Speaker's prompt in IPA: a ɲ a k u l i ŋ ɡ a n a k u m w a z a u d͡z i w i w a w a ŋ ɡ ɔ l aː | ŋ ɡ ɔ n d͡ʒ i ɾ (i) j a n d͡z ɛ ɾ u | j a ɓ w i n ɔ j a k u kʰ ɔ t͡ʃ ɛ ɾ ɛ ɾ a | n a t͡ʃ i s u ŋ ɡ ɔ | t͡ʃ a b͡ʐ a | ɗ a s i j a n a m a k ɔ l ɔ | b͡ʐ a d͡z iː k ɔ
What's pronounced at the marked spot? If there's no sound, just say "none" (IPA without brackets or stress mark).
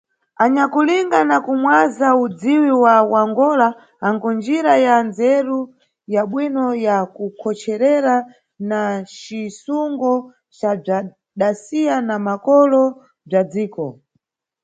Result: a